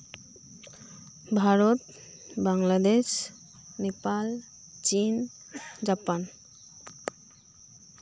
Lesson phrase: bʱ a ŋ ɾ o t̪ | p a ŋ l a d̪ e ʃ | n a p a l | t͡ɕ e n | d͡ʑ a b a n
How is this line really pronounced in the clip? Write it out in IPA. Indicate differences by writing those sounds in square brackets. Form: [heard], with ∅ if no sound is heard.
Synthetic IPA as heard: bʱ a [∅] ɾ o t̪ | [b] a ŋ l a d̪ e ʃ | n [e] p a l | t͡ɕ [i] n | d͡ʑ a [p] a n